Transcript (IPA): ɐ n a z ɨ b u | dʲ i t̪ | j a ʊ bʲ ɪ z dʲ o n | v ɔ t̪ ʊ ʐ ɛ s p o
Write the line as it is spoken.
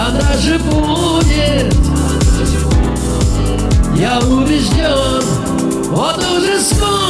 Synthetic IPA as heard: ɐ n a ʐ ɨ b u | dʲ ɪ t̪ | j a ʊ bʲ ɪ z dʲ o n | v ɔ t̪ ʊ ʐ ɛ s k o